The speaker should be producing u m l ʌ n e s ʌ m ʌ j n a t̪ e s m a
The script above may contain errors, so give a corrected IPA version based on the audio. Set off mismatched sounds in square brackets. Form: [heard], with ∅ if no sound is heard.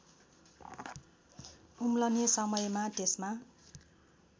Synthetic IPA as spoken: u m l ʌ n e s ʌ m ʌ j [m] a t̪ e s m a